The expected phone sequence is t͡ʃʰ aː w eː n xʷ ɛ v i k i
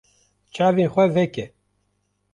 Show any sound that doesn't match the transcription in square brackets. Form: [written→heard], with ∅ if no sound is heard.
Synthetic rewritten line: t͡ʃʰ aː [w→v] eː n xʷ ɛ v [i→ɛ] k [i→ɛ]